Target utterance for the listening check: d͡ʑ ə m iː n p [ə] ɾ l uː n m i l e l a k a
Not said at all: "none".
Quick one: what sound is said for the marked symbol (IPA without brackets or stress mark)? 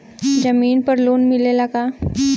ə